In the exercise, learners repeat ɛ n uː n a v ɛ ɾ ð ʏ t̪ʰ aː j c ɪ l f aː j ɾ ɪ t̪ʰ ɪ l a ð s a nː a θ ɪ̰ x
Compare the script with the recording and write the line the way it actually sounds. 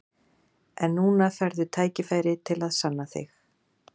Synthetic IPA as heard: ɛ nː uː n a f ɛ ɾ ð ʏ t̪ʰ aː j c ɪ f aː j ɾ ɪ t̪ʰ ɪ l a ð s a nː a θ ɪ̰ x